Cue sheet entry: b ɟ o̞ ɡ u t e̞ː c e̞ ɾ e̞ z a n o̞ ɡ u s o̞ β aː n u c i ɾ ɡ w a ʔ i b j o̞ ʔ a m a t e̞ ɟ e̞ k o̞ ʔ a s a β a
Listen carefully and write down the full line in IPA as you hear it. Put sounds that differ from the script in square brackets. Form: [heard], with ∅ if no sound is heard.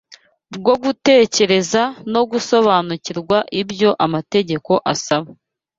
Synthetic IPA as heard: b [ɡ] o̞ ɡ u t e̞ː c e̞ ɾ e̞ z a n o̞ ɡ u s o̞ β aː n u c i ɾ ɡ w a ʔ i b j o̞ ʔ a m a t e̞ ɟ e̞ k o̞ ʔ a s a β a

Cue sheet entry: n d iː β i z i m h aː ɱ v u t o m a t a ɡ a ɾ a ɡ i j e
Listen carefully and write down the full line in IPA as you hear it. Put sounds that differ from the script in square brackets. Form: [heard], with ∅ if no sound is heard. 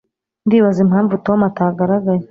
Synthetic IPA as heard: n d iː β [a] z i m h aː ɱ v u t o m a t a ɡ a ɾ a ɡ [a] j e

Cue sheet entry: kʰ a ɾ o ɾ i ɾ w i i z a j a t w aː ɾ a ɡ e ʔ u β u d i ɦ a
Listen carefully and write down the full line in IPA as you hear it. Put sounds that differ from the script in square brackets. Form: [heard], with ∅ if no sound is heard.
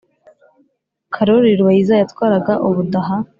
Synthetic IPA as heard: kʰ a ɾ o ɾ i ɾ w [a] i z a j a t w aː ɾ a ɡ [a] ʔ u β u d [a] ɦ a

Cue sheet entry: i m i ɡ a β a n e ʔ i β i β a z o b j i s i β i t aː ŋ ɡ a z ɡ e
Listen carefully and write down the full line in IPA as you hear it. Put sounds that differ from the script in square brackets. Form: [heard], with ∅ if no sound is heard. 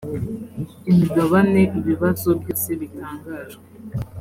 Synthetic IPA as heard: i m i ɡ a β a n e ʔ i β i β a z o b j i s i β i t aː ŋ ɡ a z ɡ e

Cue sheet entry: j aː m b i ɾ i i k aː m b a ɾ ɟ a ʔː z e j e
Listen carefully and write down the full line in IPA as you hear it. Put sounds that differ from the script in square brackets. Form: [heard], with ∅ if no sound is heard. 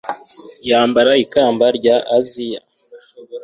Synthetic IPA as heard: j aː m b [a] ɾ [a] i k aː m b a ɾ ɟ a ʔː z [i] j [a]

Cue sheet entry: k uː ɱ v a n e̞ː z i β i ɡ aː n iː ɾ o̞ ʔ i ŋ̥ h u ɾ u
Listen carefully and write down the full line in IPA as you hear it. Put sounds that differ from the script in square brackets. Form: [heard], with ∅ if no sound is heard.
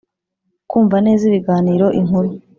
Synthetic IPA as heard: k uː ɱ v a n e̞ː z i β i ɡ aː n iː ɾ o̞ ʔ i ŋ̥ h u ɾ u

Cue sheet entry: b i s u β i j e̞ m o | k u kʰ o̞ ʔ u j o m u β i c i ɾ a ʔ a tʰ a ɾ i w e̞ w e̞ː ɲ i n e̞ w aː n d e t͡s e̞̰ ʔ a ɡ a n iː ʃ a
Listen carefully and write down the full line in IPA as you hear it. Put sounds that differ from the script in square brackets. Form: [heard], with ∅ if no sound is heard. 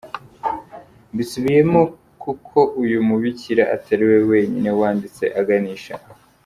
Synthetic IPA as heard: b i s u β i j e̞ m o | k u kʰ o̞ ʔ u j [u] m u β i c i ɾ a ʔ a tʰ a ɾ i w e̞ w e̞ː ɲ i n e̞ w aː n d [i] t͡s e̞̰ ʔ a ɡ a n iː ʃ a

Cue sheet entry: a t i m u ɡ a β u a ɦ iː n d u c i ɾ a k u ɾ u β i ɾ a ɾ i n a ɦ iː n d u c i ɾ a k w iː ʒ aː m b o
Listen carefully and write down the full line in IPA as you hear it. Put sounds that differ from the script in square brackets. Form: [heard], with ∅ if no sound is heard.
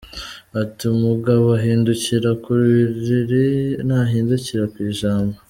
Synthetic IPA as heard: a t i m u ɡ a β [o] a ɦ iː n d u c i ɾ a k u ɾ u β i ɾ [i] ɾ i n a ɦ iː n d u c i ɾ a k w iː ʒ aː m b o

